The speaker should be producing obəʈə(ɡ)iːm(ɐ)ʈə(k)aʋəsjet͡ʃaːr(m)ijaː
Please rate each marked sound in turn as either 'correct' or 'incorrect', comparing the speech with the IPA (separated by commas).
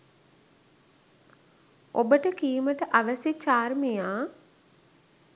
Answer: incorrect, incorrect, incorrect, correct